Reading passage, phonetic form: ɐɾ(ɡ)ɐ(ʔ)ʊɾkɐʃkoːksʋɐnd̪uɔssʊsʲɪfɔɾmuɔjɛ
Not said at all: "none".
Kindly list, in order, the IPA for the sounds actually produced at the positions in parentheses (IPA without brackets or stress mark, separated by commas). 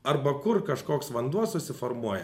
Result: b, k